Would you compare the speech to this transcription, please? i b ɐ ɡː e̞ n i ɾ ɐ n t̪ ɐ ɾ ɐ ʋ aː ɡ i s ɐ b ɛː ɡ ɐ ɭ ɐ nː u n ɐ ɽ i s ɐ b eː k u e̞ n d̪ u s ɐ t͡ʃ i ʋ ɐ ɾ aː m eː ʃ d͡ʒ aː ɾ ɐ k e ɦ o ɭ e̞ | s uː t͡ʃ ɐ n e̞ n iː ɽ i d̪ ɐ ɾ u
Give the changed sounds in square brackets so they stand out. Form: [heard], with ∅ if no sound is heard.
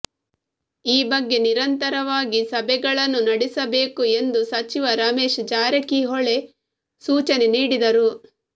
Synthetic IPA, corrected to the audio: [iː] b ɐ ɡː e̞ n i ɾ ɐ n t̪ ɐ ɾ ɐ ʋ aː ɡ i s ɐ b [ɛ] ɡ ɐ ɭ ɐ nː u n ɐ ɽ i s ɐ b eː k u e̞ n d̪ u s ɐ t͡ʃ i ʋ ɐ ɾ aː m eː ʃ d͡ʒ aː ɾ ɐ k [i] ɦ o ɭ e̞ | s uː t͡ʃ ɐ n e̞ n iː ɽ i d̪ ɐ ɾ u